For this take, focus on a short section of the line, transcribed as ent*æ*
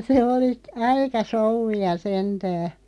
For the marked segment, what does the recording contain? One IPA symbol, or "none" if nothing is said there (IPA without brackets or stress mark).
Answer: æː